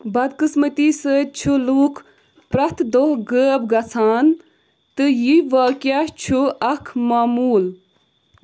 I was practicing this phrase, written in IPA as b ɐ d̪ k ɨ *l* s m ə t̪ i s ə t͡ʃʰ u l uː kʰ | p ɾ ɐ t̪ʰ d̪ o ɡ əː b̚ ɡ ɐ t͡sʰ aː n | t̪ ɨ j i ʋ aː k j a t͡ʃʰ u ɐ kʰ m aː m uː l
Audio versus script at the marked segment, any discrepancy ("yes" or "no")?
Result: yes